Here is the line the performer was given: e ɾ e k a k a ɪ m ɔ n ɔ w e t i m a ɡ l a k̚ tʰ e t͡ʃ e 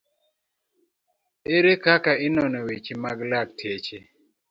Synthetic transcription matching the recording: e ɾ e k a k a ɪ n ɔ n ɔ w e t͡ʃ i m a ɡ l a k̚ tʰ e t͡ʃ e

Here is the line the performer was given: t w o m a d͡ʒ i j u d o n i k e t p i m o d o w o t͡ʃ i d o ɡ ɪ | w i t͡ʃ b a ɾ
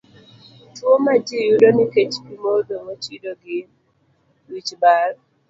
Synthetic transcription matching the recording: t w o m a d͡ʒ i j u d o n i k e t͡ʃ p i m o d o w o t͡ʃ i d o ɡ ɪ | w i t͡ʃ b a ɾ

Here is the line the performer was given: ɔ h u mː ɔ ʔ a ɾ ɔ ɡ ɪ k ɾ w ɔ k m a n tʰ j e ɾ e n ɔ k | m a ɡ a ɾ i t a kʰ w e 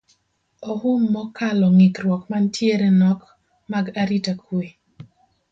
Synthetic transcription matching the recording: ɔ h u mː ɔ k a l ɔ ŋ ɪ k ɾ w ɔ k m a n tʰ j e ɾ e n ɔ k | m a ɡ a ɾ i t a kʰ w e

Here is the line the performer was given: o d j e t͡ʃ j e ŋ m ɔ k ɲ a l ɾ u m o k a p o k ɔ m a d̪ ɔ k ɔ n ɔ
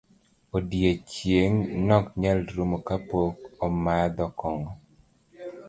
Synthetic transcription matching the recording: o d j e t͡ʃ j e ŋ n ɔ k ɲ a l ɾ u m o k a p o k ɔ m a d̪ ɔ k ɔ ŋ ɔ

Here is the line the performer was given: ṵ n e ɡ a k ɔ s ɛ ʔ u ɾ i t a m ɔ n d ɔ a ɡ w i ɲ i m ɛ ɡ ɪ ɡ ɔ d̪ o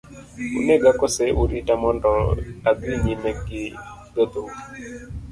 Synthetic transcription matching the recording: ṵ n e ɡ a k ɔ s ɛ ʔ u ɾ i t a m ɔ n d ɔ a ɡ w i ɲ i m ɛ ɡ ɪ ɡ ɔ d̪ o

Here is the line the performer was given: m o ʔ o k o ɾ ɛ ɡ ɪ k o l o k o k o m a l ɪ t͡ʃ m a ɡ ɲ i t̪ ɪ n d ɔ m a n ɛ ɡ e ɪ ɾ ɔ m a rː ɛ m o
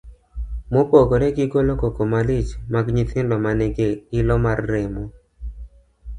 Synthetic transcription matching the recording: m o p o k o ɾ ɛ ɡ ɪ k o l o k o k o m a l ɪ t͡ʃ m a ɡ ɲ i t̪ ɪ n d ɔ m a n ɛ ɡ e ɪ l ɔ m a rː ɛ m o

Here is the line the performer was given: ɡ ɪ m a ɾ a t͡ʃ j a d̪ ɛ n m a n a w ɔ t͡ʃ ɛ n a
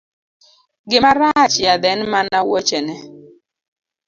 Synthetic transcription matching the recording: ɡ ɪ m a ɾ a t͡ʃ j a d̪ ɛ n m a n a w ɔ t͡ʃ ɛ n ɛ

